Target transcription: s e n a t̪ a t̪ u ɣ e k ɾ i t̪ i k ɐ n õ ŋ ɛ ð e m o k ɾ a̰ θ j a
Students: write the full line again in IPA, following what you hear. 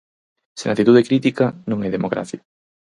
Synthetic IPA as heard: s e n a t̪ i t̪ u ð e k ɾ i t̪ i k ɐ n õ ŋ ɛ ð e m o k ɾ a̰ θ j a

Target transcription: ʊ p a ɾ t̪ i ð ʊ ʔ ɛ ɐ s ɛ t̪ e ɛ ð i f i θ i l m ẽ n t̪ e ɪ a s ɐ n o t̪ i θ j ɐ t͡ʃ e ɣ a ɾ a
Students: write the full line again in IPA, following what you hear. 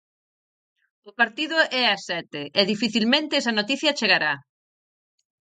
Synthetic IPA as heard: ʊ p a ɾ t̪ i ð ʊ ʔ ɛ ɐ s ɛ t̪ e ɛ ð i f i θ i l m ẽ n t̪ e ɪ ɛ s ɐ n o t̪ i θ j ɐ t͡ʃ e ɣ a ɾ a

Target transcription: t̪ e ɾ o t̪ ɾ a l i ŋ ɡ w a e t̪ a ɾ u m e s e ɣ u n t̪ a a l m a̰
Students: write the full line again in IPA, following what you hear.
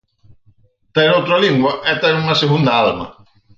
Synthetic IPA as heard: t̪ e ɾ o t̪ ɾ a l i ŋ ɡ w a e t̪ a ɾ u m a s e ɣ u n d̪ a a l m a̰

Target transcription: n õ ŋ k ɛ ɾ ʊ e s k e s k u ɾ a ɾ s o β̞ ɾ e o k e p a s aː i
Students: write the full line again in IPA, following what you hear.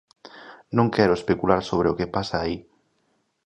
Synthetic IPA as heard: n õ ŋ k ɛ ɾ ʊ e s p e k u l a ɾ s o β̞ ɾ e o k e p a s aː i

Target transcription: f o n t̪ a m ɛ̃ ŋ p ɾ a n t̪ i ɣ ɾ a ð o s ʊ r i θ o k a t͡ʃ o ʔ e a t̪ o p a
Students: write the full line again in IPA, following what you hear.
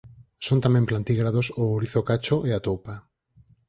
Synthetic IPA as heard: s o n t̪ a m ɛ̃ m p l a n t̪ i ɣ ɾ a ð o s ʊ ɾ i θ o k a t͡ʃ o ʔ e a t̪ o p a

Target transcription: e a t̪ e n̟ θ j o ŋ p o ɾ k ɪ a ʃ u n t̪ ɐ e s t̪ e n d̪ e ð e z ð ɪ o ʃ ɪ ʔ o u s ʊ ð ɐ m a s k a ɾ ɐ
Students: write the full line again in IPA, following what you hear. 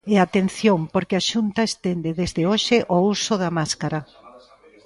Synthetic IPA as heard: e a t̪ e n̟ θ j o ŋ p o ɾ k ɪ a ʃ u n t̪ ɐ e s t̪ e n d̪ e ð e z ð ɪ o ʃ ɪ ʔ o u s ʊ ð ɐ m a s k a ɾ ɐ

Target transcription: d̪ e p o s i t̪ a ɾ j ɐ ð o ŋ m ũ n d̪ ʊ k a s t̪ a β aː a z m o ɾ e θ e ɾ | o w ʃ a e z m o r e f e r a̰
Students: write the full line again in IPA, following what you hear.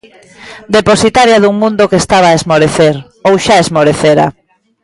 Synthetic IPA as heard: d̪ e p o s i t̪ a ɾ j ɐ ð u ŋ m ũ n d̪ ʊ k e s t̪ a β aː e z m o ɾ e θ e ɾ | o w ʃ a e z m o ɾ e θ e ɾ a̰

